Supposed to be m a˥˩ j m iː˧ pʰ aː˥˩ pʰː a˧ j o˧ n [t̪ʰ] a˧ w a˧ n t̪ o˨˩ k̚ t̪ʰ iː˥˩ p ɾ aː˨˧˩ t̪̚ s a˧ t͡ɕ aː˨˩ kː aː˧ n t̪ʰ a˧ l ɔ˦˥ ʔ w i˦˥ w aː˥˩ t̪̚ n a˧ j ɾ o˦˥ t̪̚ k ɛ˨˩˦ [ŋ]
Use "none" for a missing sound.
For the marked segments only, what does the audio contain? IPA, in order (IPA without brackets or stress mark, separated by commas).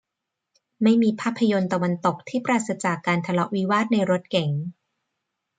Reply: t̪, ŋ